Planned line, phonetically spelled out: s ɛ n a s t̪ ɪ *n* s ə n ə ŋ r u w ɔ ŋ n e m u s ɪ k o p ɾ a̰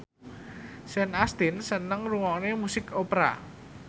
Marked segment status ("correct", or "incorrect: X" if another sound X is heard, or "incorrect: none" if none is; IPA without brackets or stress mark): correct